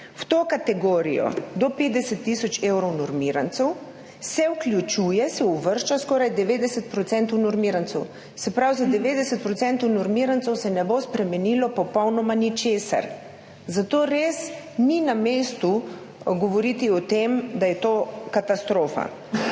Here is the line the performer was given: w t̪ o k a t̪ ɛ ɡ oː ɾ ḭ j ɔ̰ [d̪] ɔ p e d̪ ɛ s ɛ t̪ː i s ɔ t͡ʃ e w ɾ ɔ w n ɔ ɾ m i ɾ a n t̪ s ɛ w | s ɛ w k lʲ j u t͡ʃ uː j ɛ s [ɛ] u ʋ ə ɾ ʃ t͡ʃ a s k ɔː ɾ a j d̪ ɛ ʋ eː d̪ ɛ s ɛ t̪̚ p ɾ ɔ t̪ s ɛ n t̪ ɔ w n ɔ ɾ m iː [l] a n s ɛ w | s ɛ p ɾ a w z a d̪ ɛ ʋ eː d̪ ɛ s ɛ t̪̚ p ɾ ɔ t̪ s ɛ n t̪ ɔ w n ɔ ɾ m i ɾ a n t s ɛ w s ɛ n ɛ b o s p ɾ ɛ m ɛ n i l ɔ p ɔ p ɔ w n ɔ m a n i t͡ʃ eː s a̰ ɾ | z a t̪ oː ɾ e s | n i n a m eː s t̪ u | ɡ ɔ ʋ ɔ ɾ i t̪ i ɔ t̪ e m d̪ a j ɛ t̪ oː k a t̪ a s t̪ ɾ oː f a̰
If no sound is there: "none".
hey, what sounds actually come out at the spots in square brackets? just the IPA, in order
d̪, ɛ, ɾ

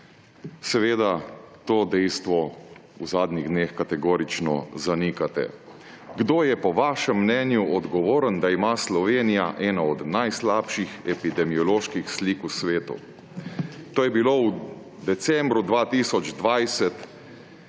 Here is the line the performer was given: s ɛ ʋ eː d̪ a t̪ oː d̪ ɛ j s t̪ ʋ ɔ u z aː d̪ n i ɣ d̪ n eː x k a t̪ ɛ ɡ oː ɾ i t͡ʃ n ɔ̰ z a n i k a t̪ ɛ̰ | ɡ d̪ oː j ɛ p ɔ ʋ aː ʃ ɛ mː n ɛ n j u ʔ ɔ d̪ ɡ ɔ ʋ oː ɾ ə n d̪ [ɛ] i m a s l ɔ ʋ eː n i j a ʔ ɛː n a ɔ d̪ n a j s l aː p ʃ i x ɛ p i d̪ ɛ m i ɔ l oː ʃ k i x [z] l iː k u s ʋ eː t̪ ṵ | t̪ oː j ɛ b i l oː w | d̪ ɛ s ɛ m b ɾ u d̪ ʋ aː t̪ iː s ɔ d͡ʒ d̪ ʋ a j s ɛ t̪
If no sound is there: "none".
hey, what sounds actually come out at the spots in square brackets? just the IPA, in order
a, s

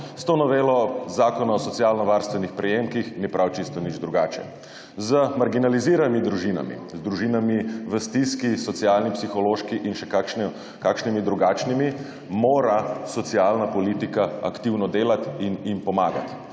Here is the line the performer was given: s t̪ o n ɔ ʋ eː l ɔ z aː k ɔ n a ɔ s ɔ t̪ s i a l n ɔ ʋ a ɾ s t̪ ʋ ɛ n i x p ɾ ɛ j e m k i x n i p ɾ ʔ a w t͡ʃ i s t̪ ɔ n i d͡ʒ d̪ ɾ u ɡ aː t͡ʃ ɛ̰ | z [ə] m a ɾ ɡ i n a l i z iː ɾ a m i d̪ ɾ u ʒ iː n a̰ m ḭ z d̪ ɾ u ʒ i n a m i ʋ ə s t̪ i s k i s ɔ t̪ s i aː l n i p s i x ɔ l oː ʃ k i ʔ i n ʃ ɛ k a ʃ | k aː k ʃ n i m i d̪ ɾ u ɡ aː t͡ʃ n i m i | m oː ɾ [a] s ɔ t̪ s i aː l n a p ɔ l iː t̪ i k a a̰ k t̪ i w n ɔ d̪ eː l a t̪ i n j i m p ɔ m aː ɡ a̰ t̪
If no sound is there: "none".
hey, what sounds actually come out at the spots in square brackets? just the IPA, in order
ə, a

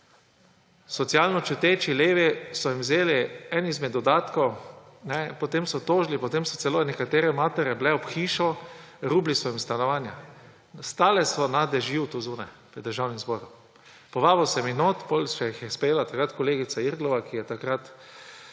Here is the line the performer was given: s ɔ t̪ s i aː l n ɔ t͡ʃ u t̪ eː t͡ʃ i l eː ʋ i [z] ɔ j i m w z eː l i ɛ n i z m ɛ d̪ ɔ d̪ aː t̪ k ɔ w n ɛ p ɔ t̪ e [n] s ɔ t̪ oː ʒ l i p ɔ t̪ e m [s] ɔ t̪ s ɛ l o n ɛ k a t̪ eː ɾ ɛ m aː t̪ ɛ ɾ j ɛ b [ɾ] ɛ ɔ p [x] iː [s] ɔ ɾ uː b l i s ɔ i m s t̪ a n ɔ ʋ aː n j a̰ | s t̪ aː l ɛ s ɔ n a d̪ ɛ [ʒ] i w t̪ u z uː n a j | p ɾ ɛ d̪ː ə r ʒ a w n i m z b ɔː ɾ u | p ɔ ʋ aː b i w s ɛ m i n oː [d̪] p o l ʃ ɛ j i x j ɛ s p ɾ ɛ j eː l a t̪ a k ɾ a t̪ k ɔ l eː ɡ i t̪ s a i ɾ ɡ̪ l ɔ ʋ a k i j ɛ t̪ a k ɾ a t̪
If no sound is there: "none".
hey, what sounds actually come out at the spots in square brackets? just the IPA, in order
s, m, s, l, x, ʃ, ʒ, t̪

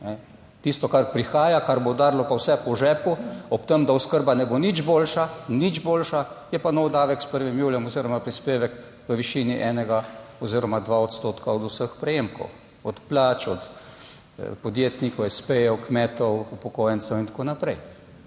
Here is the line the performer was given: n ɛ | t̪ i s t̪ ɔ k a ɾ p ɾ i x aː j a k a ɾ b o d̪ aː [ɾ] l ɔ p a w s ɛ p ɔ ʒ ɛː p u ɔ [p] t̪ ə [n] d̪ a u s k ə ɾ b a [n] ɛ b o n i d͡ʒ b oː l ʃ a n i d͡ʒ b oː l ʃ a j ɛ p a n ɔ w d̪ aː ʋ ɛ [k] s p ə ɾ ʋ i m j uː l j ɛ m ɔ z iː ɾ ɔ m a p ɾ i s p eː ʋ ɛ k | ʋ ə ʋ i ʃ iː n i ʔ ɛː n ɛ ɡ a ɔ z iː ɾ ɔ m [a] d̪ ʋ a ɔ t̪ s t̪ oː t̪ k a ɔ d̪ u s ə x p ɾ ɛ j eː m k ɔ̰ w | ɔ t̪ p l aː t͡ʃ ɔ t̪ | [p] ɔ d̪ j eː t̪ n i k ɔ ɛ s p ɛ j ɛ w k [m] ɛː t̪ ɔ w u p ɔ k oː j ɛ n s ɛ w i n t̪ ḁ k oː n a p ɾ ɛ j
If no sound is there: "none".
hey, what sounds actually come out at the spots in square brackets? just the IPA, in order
ɾ, p, m, n, k, a, p, m

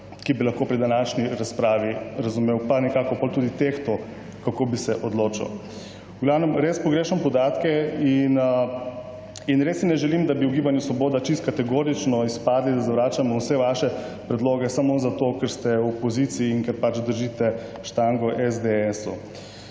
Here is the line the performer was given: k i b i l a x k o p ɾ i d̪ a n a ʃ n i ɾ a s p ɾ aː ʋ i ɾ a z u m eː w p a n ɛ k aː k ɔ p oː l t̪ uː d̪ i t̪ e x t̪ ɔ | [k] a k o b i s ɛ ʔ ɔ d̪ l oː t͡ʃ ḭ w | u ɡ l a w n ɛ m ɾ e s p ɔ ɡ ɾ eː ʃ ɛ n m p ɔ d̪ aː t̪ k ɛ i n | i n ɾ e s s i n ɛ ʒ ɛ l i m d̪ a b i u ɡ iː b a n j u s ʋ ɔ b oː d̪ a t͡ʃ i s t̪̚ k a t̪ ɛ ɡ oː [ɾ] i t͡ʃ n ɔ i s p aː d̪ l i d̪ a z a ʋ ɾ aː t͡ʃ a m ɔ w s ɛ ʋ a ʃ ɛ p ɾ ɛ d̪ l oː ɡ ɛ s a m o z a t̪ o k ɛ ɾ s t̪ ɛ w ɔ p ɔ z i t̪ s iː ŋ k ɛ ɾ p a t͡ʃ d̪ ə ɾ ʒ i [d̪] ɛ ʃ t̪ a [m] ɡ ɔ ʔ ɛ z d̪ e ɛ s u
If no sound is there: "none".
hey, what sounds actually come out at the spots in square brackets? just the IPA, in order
k, ɾ, t̪, ŋ

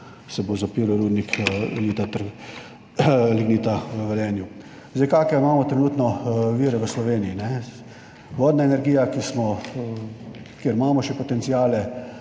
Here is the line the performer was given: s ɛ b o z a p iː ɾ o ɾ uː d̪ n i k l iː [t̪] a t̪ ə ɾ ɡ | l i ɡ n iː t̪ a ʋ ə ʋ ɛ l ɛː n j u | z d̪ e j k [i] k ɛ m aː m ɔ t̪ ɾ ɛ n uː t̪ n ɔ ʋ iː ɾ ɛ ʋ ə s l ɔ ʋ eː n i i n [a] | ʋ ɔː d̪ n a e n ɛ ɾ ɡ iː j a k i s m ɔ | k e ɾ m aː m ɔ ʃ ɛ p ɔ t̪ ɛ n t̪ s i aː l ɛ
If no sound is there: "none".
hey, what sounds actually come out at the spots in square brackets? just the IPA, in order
t̪, a, ɛ

